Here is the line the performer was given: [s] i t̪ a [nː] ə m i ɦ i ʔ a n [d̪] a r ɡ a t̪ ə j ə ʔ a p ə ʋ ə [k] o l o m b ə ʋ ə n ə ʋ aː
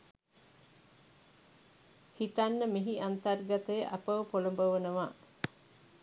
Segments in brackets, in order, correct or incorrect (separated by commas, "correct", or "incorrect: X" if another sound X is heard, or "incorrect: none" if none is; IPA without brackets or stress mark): incorrect: h, correct, incorrect: t̪, incorrect: p